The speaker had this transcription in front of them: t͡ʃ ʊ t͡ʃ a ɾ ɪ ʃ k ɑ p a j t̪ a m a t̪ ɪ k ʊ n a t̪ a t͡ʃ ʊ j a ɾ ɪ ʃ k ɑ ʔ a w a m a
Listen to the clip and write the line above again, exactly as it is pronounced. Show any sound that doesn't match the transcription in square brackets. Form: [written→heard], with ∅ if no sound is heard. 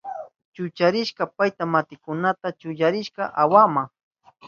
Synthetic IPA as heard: t͡ʃ ʊ t͡ʃ a ɾ ɪ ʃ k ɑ p a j t̪ a m a t̪ ɪ k ʊ n a t̪ a t͡ʃ ʊ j a ɾ ɪ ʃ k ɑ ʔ a w a m a